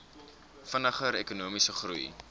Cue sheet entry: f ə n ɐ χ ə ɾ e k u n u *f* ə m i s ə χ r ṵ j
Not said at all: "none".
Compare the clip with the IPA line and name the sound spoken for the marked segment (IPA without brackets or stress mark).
none